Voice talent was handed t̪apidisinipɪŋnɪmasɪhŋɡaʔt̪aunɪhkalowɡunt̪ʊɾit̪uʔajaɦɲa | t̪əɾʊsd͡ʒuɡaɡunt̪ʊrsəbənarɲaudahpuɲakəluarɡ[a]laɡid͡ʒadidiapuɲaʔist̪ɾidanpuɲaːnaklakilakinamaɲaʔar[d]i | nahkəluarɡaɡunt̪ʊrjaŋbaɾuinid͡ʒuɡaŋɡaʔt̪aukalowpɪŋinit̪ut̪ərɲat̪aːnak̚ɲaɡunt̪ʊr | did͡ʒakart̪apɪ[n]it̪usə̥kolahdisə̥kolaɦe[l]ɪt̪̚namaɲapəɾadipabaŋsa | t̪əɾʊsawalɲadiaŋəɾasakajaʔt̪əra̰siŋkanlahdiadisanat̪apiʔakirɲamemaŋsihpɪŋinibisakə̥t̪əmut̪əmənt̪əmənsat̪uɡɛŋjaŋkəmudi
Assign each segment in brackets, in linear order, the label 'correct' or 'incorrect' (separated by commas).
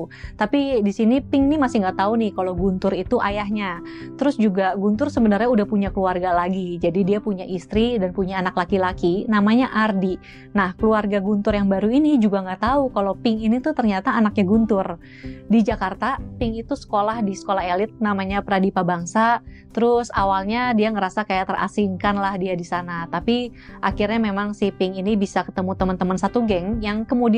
correct, correct, incorrect, correct